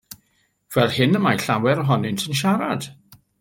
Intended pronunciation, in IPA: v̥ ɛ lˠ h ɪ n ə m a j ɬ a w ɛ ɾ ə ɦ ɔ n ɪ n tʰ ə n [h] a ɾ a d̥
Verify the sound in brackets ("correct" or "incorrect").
incorrect